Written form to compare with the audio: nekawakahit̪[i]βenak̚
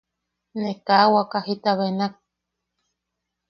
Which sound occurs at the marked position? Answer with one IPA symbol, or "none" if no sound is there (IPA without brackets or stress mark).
a